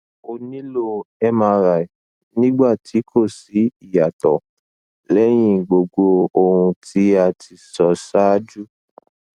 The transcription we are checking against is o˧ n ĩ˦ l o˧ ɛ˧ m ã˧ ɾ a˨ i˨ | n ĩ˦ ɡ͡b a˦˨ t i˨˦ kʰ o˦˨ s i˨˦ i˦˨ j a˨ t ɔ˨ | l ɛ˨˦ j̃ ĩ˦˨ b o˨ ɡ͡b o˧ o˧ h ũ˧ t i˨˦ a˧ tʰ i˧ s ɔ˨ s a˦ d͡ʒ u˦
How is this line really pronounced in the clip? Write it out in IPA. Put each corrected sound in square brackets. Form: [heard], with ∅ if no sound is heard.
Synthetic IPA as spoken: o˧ n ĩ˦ l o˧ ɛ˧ m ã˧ ɾ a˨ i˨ | n ĩ˦ ɡ͡b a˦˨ t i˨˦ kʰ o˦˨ s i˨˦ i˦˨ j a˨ t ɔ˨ | l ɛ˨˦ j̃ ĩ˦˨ [ɡ͡b] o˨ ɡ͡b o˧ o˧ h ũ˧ t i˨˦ a˧ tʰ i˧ s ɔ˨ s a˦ d͡ʒ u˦